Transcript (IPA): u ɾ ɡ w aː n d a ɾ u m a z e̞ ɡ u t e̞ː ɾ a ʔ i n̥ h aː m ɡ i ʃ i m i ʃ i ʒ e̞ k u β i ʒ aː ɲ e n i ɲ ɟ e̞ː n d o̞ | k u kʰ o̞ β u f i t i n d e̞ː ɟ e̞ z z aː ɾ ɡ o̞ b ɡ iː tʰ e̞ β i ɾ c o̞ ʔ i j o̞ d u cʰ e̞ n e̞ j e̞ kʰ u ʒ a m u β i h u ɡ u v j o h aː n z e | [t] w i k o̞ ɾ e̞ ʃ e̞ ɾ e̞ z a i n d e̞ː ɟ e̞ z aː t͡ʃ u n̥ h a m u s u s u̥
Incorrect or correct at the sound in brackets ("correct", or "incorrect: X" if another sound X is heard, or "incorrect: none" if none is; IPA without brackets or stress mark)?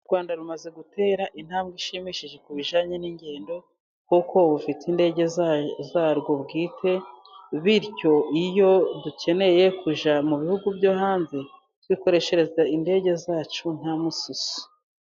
correct